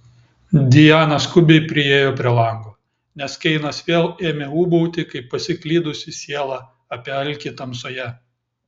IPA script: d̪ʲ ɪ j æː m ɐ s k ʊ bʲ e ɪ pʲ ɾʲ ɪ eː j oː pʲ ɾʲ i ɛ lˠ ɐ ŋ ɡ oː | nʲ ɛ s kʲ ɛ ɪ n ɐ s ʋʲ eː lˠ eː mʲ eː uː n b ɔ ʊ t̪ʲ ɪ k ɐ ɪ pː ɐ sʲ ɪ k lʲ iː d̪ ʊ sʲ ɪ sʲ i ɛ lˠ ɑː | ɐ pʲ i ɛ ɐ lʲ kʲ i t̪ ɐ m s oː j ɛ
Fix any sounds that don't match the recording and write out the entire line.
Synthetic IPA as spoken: d̪ʲ ɪ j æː n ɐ s k ʊ bʲ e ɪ pʲ ɾʲ ɪ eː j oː pʲ ɾʲ i ɛ lˠ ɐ ŋ ɡ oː | nʲ ɛ s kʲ ɛ ɪ n ɐ s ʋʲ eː lˠ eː mʲ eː uː b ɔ ʊ t̪ʲ ɪ k ɐ ɪ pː ɐ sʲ ɪ k lʲ iː d̪ ʊ sʲ ɪ sʲ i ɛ lˠ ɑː | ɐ pʲ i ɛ ɐ lʲ kʲ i t̪ ɐ m s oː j ɛ